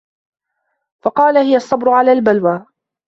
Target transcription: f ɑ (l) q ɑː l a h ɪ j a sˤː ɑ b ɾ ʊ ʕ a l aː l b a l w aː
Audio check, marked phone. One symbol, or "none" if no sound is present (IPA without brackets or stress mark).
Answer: none